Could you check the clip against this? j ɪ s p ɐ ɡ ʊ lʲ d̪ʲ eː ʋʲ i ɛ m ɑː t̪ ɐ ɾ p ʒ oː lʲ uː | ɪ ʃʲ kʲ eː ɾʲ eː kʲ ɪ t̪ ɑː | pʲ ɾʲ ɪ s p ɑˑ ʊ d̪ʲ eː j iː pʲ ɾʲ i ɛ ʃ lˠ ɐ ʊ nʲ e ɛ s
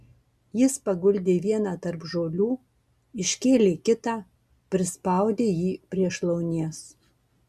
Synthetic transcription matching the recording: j ɪ s p ɐ ɡ ʊ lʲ d̪ʲ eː ʋʲ i ɛ n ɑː t̪ ɐ ɾ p ʒ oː lʲ uː | ɪ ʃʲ kʲ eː lʲ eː kʲ ɪ t̪ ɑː | pʲ ɾʲ ɪ s p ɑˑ ʊ d̪ʲ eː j iː pʲ ɾʲ i ɛ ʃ lˠ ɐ ʊ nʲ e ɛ s